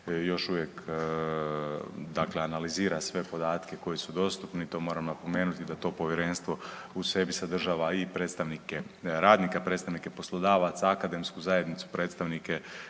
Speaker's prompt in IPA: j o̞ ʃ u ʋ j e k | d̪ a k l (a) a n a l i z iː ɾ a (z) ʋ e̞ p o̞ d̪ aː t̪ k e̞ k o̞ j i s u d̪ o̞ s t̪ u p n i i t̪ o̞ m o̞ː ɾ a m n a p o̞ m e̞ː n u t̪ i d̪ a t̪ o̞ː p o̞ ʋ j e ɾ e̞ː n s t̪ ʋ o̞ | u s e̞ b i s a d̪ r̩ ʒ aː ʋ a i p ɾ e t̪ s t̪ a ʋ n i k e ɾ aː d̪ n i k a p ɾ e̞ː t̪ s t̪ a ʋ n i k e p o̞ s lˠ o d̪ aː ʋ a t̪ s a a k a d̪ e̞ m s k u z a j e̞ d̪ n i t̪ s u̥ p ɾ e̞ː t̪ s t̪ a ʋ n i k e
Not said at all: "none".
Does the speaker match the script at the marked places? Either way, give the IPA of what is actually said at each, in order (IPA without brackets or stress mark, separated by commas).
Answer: e, s